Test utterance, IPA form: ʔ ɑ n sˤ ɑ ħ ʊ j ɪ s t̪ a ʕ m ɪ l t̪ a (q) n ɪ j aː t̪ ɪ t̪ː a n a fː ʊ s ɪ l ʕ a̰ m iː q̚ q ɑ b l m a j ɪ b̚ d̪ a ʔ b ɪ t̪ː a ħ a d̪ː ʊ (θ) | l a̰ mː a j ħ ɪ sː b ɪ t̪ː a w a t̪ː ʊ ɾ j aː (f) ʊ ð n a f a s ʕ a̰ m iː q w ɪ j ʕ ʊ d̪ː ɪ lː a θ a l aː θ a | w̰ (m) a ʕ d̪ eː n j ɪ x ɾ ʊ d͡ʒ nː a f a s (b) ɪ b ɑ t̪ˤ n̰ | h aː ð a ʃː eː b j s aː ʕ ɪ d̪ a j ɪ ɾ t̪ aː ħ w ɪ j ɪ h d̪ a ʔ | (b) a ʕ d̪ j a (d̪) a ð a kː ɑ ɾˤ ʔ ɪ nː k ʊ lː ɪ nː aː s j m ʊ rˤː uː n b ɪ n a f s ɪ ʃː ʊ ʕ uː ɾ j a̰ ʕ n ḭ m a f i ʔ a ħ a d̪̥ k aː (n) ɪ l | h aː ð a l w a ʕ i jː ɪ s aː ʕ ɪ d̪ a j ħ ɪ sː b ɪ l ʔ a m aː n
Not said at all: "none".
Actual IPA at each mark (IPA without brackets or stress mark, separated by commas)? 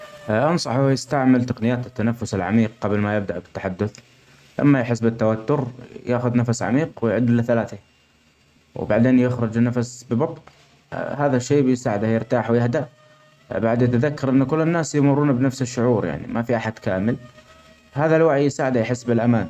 q, θ, x, b, b, b, t̪, m